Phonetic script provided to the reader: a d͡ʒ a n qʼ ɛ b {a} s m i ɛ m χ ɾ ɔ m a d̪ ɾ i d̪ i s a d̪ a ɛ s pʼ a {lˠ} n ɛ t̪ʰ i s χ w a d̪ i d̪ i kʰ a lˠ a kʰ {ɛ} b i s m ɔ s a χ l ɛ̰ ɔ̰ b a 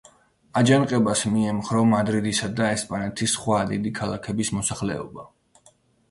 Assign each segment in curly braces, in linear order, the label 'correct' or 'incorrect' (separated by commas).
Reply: correct, incorrect, correct